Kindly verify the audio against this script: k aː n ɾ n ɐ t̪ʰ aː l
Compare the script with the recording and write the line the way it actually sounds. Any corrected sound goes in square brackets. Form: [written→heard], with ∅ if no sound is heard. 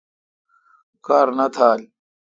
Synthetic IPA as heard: k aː [n→∅] ɾ n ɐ t̪ʰ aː l